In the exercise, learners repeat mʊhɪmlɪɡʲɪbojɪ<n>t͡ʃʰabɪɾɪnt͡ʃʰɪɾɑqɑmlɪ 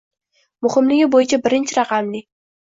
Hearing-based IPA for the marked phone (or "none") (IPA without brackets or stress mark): none